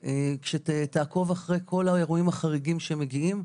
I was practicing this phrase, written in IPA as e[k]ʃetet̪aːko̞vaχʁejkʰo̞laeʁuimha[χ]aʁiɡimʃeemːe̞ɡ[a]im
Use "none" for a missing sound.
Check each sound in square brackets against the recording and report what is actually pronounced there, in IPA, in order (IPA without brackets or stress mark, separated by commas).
k, χ, i